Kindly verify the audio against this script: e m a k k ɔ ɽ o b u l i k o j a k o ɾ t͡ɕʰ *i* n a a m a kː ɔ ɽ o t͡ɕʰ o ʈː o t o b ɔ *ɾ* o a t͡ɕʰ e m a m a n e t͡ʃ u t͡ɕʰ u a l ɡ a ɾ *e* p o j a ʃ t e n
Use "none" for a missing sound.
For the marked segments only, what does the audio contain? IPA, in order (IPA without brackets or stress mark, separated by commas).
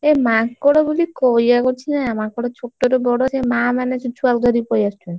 i, ɽ, i